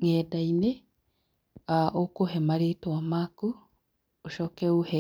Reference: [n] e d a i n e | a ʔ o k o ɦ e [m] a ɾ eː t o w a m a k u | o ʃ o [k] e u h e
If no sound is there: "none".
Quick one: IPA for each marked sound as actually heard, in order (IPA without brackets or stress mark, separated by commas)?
ŋ, m, k